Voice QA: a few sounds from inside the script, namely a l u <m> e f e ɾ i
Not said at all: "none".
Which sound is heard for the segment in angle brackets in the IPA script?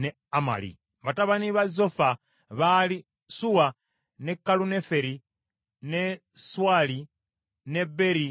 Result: n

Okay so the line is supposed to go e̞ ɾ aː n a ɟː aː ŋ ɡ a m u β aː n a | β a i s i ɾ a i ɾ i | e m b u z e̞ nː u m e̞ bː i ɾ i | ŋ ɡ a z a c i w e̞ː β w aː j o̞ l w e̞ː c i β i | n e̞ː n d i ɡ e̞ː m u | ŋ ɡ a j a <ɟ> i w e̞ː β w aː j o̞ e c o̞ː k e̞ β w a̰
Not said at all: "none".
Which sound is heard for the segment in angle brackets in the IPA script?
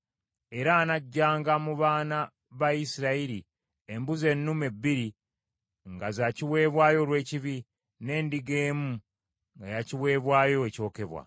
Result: c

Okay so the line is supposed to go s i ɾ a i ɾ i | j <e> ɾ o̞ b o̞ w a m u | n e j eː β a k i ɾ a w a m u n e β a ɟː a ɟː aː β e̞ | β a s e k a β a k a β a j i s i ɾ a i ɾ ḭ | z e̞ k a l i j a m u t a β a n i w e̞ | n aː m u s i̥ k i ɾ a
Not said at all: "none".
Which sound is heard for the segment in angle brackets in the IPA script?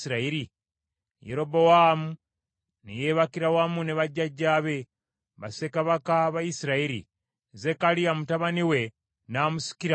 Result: e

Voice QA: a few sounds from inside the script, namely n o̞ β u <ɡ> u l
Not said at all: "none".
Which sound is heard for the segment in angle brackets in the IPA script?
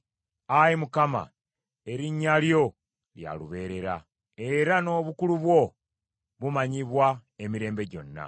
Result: k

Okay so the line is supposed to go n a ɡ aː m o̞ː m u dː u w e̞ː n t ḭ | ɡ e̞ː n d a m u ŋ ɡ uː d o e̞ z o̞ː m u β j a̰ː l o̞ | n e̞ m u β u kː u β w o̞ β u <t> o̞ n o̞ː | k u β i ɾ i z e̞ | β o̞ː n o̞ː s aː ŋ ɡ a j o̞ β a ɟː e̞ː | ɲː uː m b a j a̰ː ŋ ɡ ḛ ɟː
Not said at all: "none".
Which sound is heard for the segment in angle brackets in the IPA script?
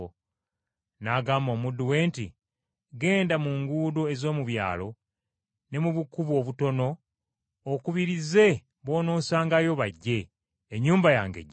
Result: t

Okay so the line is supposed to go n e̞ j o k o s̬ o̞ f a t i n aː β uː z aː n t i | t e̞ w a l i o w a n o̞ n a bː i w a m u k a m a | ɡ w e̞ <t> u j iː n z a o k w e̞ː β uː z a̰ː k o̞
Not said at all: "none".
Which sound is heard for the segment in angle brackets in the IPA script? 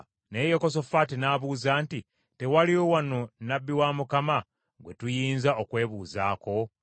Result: t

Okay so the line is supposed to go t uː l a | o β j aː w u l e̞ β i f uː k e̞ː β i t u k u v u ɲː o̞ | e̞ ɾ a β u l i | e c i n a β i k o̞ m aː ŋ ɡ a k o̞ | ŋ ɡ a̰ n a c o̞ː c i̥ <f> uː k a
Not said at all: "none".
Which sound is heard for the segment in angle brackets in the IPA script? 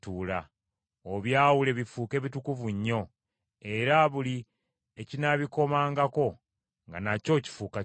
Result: f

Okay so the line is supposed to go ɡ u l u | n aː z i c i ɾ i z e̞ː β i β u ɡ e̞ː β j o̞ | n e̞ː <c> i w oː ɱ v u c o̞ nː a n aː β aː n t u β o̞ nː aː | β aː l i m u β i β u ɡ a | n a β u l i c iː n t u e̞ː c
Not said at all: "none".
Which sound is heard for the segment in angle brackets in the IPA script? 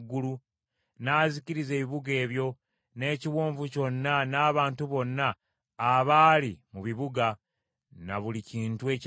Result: c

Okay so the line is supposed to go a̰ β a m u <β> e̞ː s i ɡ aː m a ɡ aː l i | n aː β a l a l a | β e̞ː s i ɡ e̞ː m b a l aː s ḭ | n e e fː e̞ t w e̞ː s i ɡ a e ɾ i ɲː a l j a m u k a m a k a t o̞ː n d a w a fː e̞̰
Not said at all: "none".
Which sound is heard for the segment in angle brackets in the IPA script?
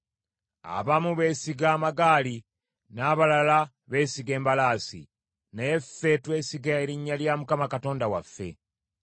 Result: β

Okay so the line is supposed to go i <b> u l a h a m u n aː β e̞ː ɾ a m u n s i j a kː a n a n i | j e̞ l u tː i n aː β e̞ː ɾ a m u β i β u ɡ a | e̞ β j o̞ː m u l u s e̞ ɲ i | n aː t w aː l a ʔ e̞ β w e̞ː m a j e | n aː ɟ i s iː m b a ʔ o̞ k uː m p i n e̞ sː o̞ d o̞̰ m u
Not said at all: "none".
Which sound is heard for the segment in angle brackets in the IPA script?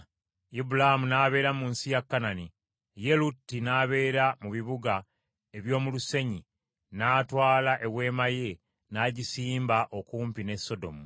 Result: b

